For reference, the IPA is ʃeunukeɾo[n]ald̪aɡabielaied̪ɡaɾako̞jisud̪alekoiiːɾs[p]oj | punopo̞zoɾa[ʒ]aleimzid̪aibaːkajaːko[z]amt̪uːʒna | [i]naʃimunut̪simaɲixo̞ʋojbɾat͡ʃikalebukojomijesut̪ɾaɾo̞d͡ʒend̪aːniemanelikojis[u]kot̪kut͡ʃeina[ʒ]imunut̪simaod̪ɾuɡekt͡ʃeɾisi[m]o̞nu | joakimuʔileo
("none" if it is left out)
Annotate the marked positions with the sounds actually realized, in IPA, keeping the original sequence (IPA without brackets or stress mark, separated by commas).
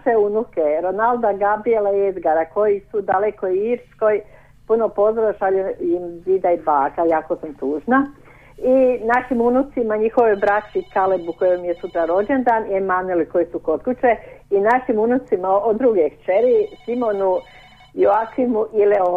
n, k, ʃ, s, i, u, ʃ, m